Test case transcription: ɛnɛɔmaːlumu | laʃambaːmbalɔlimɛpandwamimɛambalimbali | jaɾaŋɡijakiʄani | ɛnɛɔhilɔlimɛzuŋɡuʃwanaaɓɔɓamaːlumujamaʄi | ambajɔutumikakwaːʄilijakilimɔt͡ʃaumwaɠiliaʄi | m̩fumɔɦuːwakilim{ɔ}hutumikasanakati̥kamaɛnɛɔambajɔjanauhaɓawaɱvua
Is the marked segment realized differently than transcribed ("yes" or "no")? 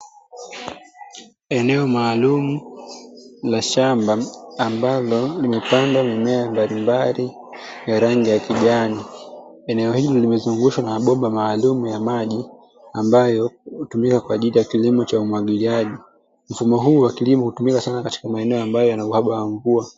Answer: no